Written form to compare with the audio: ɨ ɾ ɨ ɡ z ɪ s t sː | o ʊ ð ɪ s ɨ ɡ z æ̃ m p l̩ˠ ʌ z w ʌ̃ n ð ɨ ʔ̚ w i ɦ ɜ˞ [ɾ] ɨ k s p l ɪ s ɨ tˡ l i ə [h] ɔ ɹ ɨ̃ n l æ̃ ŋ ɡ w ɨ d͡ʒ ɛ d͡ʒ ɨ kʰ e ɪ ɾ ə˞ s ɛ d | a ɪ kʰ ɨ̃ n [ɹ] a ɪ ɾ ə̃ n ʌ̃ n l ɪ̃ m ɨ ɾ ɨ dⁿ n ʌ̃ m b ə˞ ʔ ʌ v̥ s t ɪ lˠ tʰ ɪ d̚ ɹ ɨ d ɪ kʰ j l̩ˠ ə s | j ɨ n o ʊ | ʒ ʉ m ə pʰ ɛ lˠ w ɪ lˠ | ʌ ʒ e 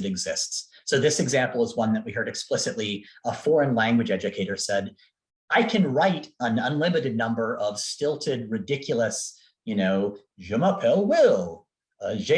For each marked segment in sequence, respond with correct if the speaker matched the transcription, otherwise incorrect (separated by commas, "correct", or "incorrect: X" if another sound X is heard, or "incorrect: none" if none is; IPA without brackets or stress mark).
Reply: correct, incorrect: f, correct